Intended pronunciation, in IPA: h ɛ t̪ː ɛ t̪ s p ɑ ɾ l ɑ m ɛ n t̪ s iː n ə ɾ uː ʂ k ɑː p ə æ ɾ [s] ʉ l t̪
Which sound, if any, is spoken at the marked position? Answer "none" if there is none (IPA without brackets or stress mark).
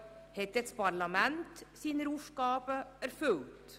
f